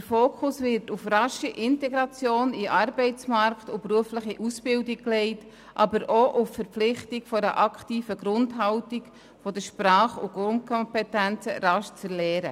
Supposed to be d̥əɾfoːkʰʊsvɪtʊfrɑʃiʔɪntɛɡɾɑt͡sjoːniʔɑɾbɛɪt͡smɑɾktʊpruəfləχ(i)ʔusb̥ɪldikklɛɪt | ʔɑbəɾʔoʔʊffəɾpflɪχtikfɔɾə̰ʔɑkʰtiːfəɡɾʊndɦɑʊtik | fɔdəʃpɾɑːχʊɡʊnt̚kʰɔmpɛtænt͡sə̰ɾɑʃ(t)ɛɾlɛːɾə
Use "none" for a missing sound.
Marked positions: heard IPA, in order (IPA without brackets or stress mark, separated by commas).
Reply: i, t͡s